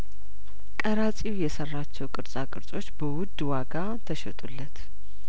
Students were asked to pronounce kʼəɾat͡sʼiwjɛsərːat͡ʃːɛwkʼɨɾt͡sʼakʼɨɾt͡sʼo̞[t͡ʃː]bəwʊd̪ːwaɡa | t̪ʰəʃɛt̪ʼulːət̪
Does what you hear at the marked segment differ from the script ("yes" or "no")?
no